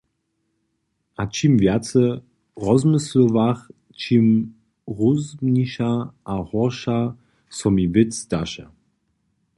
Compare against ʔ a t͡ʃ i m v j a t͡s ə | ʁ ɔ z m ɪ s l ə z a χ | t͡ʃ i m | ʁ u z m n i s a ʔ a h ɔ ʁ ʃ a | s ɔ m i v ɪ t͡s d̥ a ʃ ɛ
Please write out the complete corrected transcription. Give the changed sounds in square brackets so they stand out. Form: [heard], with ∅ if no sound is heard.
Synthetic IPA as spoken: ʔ a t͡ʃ i m v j a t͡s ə | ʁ ɔ z m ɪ s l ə [v] a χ | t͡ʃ i m | ʁ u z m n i [ʃ] a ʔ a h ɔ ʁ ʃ a | s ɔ m i v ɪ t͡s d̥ a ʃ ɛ